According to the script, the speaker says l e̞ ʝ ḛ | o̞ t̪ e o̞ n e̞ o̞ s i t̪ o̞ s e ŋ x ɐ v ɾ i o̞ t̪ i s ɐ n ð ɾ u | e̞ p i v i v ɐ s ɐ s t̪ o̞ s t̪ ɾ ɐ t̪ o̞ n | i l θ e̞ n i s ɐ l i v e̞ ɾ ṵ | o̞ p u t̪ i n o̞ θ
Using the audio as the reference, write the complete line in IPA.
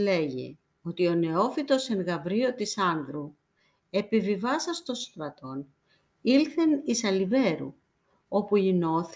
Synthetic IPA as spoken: l e̞ ʝ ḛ | o̞ t̪ i o̞ n e̞ o̞ f i t̪ o̞ s e ŋ ɣ ɐ v ɾ i o̞ t̪ i s ɐ n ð ɾ u | e̞ p i v i v ɐ s ɐ s t̪ o̞ s t̪ ɾ ɐ t̪ o̞ n | i l θ e̞ n i s ɐ l i v e̞ ɾ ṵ | o̞ p u i n o̞ θ